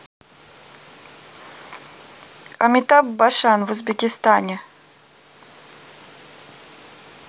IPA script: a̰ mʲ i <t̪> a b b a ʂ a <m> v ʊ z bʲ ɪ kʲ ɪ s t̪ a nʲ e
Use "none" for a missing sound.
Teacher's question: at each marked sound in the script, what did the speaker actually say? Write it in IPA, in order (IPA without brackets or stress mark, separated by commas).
t̪, n